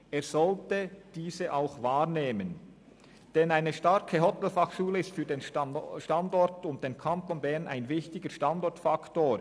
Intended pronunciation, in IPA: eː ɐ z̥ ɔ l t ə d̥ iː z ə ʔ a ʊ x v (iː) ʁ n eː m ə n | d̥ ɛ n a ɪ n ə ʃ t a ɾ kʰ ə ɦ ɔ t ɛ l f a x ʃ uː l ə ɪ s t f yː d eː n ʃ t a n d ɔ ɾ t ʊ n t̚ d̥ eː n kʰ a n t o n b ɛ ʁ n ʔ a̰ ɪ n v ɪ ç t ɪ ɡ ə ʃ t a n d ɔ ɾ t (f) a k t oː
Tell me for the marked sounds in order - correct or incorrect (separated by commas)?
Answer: incorrect, correct